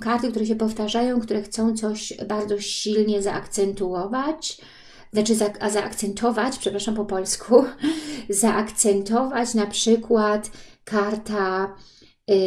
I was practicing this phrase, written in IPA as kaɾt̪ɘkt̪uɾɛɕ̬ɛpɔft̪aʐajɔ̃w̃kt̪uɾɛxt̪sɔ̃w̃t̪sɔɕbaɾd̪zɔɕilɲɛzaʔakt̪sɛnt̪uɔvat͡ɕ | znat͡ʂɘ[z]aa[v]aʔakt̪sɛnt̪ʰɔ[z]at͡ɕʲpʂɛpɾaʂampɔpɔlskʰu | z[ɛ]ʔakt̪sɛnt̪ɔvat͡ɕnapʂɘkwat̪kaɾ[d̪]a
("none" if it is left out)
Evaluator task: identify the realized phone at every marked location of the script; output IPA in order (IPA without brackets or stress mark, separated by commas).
z, z, v, a, t̪